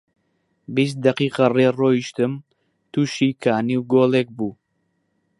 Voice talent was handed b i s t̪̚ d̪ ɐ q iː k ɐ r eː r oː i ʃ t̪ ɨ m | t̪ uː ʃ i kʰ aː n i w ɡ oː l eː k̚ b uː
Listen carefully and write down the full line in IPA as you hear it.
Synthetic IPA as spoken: b i s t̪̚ d̪ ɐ q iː q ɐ r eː r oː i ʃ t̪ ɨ m | t̪ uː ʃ i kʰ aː n i w ɡ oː l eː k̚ b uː